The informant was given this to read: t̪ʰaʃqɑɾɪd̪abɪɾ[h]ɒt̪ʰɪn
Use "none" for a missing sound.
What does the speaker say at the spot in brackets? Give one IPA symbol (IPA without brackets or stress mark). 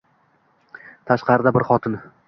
χ